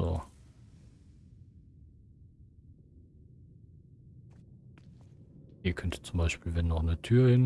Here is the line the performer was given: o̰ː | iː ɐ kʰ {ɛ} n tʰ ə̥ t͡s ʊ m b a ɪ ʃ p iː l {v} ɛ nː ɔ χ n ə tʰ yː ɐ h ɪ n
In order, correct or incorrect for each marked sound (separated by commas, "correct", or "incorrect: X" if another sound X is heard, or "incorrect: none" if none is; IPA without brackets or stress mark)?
incorrect: œ, correct